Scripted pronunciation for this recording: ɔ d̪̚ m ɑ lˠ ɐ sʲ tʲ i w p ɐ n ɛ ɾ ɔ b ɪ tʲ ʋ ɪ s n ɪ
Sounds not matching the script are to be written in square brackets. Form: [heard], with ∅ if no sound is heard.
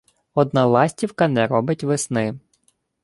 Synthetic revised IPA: ɔ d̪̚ [n] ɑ lˠ [ɑ] sʲ tʲ i w [k] ɐ n ɛ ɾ ɔ b ɪ tʲ ʋ ɪ s n ɪ